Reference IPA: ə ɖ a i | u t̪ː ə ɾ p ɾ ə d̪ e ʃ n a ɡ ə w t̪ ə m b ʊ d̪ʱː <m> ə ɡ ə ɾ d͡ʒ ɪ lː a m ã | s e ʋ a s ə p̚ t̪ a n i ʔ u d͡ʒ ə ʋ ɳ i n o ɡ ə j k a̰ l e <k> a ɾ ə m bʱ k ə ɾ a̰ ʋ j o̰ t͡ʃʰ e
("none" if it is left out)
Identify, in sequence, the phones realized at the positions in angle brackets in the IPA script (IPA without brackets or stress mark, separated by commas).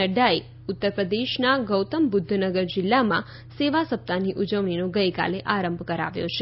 n, ʔ